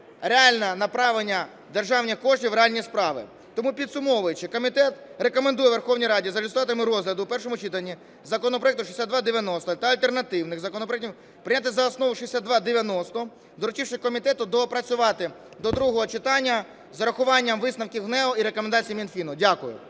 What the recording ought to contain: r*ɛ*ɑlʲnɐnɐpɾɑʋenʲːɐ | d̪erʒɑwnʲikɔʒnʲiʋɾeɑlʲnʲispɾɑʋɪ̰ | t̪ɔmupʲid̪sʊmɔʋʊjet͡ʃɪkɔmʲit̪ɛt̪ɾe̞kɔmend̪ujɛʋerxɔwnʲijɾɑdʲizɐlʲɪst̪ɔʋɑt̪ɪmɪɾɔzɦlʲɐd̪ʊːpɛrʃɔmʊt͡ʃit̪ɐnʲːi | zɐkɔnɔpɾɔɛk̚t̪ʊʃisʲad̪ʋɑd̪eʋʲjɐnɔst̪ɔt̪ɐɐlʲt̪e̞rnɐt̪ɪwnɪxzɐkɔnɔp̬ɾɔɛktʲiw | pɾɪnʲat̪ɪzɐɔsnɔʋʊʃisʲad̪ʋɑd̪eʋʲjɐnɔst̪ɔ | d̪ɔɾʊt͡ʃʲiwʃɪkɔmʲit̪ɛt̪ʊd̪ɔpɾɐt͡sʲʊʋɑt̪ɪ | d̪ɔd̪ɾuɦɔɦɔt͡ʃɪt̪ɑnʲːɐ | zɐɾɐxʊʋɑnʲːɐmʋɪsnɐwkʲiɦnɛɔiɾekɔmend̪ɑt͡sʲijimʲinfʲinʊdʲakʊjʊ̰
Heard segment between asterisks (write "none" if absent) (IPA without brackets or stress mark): e